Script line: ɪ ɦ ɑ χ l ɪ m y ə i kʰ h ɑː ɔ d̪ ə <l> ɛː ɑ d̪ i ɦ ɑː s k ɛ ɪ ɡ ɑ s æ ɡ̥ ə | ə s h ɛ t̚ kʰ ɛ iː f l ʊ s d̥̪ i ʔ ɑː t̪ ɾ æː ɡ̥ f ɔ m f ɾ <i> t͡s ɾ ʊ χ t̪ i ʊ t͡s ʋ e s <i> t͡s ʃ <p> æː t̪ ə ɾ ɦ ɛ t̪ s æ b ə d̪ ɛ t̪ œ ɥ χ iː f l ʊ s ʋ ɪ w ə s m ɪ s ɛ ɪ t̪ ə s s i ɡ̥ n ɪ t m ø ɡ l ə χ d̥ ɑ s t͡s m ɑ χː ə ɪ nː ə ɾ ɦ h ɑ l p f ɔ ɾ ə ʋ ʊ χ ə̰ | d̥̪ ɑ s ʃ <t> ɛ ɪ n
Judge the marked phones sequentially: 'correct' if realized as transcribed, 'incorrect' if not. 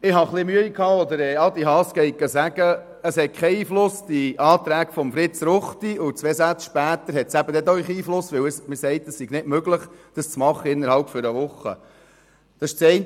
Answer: incorrect: ɾ, incorrect: ɪ, incorrect: æ, correct, incorrect: t͡s

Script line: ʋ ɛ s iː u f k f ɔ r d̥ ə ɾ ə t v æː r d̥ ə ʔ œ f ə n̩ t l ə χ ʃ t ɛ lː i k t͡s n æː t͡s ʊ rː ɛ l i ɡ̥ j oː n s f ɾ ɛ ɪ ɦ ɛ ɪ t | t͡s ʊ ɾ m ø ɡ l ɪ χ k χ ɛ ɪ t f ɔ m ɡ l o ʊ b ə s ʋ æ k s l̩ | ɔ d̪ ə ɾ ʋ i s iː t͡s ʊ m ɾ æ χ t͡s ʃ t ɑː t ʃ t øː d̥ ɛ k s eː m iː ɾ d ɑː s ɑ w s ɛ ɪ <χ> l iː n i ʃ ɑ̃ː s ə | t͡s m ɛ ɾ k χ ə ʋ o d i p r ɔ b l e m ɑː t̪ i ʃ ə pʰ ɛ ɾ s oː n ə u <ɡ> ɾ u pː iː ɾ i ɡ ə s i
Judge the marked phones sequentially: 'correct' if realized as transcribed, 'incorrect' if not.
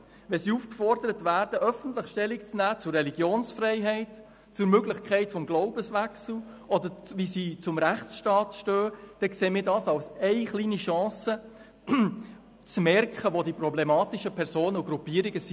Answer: correct, correct

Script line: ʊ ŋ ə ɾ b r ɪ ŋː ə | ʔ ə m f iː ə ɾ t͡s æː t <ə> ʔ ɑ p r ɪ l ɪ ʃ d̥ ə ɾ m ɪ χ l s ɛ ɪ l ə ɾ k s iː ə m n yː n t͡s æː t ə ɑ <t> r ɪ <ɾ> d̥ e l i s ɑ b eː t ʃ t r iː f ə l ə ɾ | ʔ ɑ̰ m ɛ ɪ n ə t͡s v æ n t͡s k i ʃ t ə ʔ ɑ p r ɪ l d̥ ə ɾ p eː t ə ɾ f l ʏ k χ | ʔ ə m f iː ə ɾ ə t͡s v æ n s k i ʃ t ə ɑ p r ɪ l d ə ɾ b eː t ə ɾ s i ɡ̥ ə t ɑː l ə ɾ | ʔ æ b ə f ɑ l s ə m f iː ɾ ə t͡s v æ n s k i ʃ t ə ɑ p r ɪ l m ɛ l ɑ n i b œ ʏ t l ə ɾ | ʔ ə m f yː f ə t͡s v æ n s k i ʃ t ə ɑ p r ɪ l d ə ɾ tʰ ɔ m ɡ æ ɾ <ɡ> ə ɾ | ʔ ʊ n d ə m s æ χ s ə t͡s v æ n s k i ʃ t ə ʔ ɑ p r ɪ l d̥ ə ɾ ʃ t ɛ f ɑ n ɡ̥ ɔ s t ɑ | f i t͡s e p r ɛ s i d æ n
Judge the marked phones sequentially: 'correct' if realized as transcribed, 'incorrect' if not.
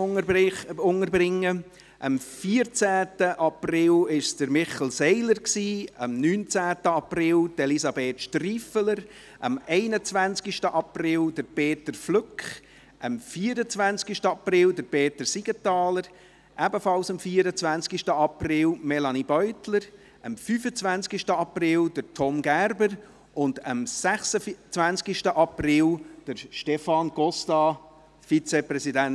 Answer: correct, incorrect: p, incorrect: l, incorrect: b

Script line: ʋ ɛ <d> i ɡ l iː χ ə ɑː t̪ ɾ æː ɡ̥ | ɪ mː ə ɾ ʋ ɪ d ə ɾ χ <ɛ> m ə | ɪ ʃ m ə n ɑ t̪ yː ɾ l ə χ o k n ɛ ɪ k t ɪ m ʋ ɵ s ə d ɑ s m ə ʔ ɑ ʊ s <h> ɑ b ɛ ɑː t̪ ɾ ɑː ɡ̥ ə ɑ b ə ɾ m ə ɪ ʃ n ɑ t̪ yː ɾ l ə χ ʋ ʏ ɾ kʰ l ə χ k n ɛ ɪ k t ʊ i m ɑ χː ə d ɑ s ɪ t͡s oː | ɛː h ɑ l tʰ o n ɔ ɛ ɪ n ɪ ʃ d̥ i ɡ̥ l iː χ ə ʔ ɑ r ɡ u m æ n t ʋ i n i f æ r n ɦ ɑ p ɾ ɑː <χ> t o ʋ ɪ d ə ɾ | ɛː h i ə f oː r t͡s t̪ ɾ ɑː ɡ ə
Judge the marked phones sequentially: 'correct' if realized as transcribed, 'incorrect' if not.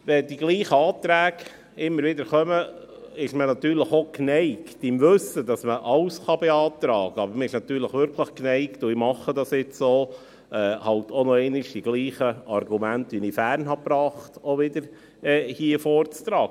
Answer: correct, incorrect: œ, incorrect: χ, correct

